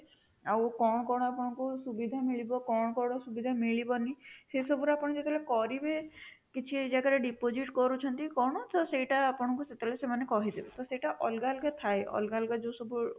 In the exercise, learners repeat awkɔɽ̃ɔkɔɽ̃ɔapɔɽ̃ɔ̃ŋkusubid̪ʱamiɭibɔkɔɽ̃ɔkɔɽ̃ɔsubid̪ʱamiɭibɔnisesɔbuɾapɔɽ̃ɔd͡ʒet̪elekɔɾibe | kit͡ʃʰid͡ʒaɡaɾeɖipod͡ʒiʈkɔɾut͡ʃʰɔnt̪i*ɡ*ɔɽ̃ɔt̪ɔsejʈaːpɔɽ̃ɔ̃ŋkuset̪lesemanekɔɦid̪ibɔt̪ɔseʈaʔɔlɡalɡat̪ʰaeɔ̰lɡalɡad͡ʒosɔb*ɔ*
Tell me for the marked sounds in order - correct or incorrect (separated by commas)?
incorrect, incorrect